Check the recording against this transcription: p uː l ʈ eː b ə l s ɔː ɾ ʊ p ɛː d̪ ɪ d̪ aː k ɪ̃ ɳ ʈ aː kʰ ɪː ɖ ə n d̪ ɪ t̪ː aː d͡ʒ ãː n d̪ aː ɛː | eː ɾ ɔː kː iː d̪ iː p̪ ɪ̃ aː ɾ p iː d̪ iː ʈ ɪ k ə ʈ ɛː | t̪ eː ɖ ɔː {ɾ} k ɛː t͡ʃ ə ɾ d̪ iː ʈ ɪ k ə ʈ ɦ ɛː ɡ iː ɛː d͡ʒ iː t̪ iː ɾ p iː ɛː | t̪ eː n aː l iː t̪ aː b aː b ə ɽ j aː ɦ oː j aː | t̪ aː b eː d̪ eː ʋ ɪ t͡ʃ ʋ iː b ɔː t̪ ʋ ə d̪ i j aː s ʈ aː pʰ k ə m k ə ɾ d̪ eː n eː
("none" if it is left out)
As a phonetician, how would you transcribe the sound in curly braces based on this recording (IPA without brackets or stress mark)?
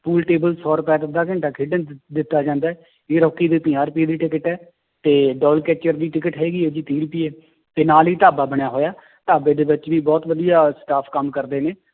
l